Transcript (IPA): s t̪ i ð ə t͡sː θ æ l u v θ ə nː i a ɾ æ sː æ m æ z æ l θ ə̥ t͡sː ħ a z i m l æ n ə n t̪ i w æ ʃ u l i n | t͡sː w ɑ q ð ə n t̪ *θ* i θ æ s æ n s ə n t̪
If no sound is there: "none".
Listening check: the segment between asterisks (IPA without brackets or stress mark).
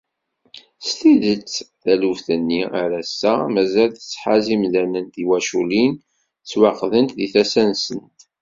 ð